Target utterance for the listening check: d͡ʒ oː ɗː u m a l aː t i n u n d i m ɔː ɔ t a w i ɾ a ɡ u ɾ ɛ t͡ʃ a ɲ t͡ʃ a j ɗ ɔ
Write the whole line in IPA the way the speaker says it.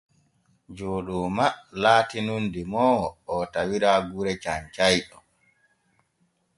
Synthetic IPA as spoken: d͡ʒ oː ɗ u m a l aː t i n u n d i m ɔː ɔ t a w i ɾ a ɡ u ɾ ɛ t͡ʃ a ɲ t͡ʃ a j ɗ ɔ